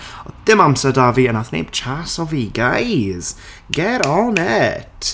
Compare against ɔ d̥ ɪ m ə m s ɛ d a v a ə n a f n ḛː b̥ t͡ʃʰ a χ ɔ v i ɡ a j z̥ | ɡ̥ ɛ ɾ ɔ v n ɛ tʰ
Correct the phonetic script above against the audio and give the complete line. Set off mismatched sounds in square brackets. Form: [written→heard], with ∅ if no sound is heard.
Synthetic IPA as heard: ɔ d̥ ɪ m [ə→a] m s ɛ d a v [a→i] ə n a [f→θ] n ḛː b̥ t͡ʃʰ a [χ→s] ɔ v i ɡ a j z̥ | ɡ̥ ɛ ɾ ɔ [v→∅] n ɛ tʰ